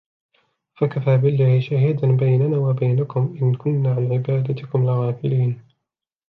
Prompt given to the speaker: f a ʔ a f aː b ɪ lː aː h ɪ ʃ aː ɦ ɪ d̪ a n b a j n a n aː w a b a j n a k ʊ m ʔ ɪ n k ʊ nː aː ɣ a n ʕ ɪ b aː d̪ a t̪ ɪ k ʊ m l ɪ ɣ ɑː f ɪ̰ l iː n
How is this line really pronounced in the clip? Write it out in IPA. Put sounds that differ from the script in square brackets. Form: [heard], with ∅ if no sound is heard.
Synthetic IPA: f a [k] a f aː b ɪ lː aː h ɪ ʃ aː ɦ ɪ d̪ a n b a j n a n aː w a b a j n a k ʊ m ʔ ɪ n k ʊ nː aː [ʕ] a n ʕ ɪ b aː d̪ a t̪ ɪ k ʊ m l ɪ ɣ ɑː f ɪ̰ l iː n